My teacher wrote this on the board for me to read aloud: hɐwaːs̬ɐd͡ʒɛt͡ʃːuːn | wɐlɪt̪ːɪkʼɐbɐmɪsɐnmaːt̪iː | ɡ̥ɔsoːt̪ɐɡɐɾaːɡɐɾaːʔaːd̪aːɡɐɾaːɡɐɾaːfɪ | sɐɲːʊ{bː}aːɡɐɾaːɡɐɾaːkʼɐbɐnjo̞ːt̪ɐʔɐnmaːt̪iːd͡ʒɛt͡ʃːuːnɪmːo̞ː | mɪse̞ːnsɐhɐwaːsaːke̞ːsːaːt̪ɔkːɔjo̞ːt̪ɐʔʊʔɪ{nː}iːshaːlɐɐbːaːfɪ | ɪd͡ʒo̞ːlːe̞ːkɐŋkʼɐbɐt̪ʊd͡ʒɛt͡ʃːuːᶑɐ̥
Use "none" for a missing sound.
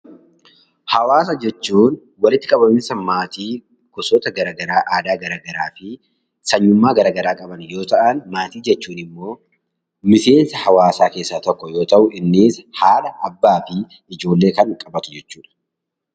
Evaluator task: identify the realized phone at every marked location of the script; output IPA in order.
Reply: mː, nː

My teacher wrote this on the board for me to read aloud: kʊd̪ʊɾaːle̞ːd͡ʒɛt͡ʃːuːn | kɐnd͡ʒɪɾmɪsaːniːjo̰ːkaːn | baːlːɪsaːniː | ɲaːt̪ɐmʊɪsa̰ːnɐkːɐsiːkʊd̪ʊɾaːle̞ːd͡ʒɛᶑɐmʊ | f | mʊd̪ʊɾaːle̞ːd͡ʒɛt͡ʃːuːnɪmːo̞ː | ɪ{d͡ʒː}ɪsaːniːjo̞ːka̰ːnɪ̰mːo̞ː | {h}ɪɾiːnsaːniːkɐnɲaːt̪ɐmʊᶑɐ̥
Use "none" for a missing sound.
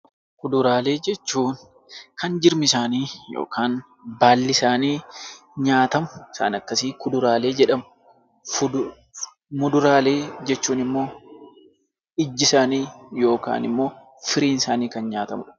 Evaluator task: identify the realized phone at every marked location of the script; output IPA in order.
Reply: d͡ʒː, f

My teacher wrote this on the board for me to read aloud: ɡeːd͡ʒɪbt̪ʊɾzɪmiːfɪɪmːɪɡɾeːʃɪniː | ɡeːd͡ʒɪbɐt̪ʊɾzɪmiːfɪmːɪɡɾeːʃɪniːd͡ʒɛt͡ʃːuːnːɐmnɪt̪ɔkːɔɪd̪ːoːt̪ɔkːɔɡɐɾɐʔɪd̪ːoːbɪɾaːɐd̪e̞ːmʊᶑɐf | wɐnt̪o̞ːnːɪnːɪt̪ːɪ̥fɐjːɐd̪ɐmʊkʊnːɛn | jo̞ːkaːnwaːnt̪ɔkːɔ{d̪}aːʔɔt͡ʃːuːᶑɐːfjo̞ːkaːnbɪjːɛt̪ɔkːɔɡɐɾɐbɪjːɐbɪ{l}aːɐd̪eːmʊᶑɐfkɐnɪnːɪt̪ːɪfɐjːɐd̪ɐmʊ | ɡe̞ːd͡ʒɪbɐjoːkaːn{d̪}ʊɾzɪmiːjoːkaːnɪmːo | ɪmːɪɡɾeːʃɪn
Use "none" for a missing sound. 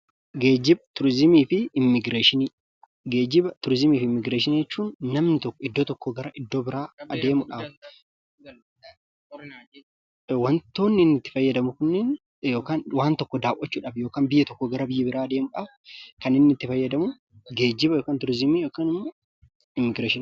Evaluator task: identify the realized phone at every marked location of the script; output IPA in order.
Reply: d̪, ɾ, t̪

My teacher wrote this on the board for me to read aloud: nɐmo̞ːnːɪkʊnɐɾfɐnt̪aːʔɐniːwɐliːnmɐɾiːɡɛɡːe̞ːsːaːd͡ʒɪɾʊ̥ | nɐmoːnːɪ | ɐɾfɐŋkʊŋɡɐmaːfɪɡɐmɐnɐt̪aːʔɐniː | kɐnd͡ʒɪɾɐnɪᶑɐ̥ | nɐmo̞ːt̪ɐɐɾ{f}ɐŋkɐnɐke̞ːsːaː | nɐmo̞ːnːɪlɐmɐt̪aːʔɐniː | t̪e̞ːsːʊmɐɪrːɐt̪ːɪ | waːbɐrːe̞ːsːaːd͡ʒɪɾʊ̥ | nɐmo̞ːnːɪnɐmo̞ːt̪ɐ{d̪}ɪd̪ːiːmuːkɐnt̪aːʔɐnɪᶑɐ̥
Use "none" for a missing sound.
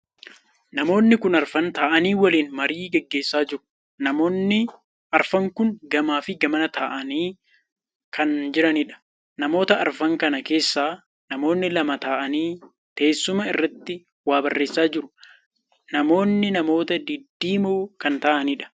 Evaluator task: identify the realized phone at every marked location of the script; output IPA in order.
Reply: f, d̪

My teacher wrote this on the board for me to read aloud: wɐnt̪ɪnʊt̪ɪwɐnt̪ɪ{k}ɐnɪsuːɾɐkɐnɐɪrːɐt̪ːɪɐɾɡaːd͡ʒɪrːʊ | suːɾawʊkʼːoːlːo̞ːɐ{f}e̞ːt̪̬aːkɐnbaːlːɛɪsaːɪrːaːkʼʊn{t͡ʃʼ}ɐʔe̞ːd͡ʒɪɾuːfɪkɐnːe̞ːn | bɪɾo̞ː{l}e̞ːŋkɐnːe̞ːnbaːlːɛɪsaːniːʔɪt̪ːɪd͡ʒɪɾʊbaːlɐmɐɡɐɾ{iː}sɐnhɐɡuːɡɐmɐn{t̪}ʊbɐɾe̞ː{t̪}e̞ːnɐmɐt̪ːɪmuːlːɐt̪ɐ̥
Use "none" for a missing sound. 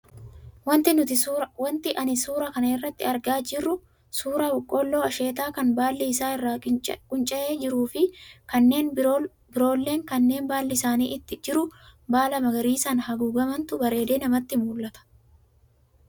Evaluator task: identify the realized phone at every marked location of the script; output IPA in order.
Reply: ʔ, ʃ, t͡ʃʼ, lː, iː, t̪, d̪

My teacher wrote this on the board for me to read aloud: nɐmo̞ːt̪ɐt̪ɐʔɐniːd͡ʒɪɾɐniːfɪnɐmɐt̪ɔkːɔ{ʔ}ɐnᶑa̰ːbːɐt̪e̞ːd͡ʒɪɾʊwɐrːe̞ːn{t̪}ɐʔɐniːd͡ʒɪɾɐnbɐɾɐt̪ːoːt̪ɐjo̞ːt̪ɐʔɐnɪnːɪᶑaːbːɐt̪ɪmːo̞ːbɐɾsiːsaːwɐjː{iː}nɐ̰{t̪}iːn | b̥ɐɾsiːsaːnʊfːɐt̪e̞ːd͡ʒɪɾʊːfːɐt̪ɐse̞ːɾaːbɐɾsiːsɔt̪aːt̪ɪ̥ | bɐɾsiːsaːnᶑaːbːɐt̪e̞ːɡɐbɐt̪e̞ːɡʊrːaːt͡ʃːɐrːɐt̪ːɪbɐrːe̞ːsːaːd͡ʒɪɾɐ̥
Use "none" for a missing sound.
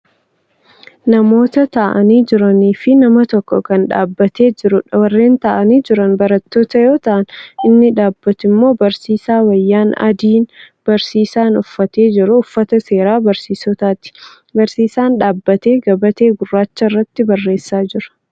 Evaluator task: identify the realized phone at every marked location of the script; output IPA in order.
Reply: k, t̪, aː, d̪

